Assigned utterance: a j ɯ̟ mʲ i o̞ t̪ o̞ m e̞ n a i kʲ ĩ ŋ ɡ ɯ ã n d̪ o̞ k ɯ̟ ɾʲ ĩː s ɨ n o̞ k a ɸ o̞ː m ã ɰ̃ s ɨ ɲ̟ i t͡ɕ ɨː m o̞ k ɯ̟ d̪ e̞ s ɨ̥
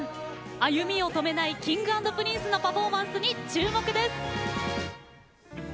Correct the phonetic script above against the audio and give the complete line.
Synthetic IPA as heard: a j ɯ̟ mʲ i o̞ t̪ o̞ m e̞ n a i kʲ ĩ ŋ ɡ ɯ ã n d̪ o̞ p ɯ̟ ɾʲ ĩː s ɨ n o̞ p a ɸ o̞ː m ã ɰ̃ s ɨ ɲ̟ i t͡ɕ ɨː m o̞ k ɯ̟ d̪ e̞ s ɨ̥